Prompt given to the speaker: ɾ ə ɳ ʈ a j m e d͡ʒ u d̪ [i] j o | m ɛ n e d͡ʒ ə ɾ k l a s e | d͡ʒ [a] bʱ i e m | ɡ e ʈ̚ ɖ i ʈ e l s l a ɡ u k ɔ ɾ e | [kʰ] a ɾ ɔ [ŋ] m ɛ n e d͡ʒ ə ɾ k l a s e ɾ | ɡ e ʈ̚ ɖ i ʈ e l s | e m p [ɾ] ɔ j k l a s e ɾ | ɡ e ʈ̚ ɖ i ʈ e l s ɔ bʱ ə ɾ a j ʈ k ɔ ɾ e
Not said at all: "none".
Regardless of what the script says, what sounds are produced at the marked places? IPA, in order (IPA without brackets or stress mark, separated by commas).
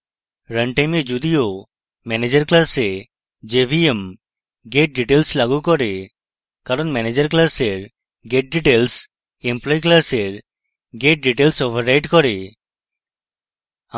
i, e, k, n, l